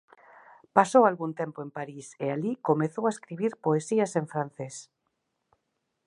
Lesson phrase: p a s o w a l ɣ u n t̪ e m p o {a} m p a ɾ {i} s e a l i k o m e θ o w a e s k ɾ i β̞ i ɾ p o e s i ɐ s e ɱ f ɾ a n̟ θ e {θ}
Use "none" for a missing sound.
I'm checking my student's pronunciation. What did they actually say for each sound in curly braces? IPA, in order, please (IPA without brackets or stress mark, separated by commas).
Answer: e, i, s